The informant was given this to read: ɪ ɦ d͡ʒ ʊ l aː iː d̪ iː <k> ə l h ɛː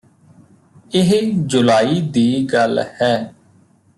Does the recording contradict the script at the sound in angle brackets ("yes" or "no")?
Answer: yes